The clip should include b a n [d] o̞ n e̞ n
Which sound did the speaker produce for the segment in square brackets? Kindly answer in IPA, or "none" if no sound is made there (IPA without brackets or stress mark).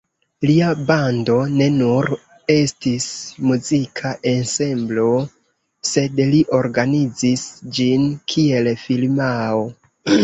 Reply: d